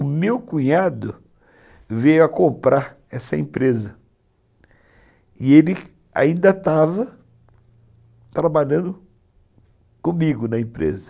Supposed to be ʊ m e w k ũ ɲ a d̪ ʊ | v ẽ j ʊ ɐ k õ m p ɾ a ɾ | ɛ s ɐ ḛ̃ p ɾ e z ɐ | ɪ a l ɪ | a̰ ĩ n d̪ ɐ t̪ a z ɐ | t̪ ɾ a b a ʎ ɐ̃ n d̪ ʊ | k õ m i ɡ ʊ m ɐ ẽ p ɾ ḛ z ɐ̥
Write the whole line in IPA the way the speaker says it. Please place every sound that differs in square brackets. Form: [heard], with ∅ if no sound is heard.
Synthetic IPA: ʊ m e w k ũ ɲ a d̪ ʊ | v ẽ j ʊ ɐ k õ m p ɾ a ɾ | ɛ s ɐ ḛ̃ p ɾ e z ɐ | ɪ [e] l ɪ | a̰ ĩ n d̪ ɐ t̪ a [v] ɐ | t̪ ɾ a b a ʎ ɐ̃ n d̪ ʊ | k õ m i ɡ ʊ [n] ɐ ẽ p ɾ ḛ z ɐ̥